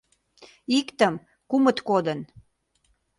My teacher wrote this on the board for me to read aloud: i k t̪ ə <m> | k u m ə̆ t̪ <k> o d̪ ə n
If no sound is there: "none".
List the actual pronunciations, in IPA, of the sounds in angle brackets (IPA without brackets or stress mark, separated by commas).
m, k